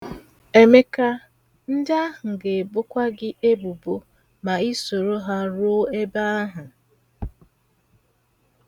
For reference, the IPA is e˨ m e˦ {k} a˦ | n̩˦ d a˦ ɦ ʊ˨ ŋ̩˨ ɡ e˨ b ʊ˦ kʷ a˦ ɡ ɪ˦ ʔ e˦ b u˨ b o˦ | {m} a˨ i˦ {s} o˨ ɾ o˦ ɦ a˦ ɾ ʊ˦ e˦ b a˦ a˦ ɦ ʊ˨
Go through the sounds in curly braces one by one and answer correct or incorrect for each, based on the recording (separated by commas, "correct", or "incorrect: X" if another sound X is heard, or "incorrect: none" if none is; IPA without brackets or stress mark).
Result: correct, correct, correct